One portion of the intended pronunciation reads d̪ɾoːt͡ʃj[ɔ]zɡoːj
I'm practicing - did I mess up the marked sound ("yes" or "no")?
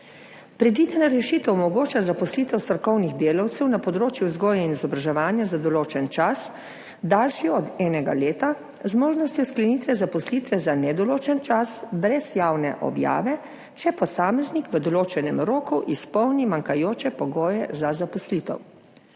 yes